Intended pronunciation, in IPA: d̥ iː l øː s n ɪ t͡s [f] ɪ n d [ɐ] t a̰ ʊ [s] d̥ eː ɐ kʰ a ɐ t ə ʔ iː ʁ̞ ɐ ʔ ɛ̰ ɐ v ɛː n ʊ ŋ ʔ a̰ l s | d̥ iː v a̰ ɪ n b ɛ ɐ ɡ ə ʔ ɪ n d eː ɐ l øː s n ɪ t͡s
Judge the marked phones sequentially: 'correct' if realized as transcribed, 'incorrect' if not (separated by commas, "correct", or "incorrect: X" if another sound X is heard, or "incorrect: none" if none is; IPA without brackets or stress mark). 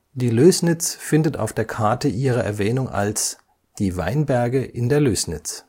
correct, incorrect: ə, incorrect: f